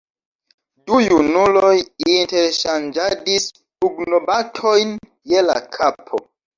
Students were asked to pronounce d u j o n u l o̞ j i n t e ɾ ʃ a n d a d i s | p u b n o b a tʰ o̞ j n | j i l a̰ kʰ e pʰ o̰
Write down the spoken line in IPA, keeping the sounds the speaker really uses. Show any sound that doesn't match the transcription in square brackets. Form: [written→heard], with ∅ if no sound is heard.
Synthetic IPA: d u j [o→u] n u l o̞ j i n t e ɾ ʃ a n [d→d͡ʒ] a d i s | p u [b→ɡ] n o b a tʰ o̞ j n | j [i→e] l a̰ kʰ [e→a] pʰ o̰